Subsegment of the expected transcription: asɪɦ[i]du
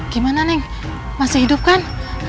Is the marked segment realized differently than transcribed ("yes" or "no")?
no